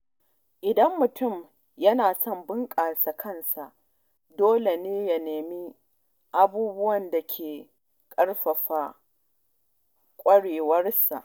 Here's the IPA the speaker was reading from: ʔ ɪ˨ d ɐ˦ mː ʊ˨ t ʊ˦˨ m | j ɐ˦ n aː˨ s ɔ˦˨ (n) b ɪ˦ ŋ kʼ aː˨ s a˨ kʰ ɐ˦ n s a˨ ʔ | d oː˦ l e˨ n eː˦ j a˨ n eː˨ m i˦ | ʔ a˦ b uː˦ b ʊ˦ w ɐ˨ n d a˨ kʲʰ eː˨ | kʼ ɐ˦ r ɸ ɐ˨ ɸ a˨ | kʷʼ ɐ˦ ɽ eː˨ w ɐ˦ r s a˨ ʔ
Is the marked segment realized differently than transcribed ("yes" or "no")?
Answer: yes